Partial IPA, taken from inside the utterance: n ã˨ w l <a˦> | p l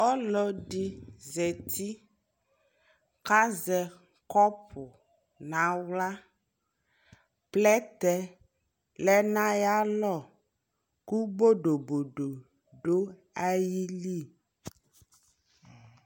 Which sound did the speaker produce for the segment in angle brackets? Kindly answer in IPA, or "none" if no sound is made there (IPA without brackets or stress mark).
a˦